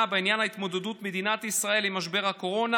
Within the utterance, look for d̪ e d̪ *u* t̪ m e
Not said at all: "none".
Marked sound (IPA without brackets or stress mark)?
u